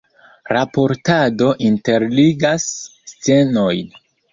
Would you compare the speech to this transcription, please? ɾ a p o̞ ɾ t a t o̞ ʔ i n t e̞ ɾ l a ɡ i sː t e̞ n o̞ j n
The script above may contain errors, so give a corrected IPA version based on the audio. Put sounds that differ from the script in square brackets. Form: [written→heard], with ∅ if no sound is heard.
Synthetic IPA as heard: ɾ a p o̞ ɾ t a [t→d] o̞ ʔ i n t e̞ ɾ l [a→i] ɡ [i→a] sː [t→t͡s] e̞ n o̞ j n